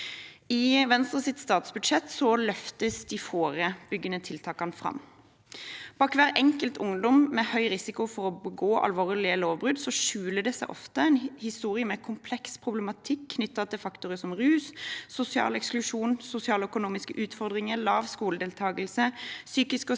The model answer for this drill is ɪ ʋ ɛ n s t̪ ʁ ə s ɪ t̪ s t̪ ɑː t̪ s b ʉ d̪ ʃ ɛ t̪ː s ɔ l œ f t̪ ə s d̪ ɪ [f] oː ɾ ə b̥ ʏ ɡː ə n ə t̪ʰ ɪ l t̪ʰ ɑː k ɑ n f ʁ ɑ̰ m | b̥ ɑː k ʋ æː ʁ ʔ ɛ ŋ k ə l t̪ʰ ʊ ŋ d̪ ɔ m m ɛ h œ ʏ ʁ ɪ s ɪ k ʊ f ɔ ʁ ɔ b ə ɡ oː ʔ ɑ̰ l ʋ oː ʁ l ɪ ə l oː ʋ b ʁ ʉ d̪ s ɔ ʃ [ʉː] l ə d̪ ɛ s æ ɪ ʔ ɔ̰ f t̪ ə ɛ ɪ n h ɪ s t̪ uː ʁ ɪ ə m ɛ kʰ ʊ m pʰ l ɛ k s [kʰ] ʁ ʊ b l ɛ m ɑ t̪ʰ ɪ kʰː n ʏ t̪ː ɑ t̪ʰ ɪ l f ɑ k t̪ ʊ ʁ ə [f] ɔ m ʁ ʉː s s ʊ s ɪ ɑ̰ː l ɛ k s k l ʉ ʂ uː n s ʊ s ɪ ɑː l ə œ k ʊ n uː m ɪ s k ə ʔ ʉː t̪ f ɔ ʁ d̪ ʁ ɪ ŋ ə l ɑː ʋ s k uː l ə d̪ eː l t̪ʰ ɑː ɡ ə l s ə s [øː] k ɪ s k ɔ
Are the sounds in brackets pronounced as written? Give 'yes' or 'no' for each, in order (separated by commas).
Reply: yes, yes, no, no, no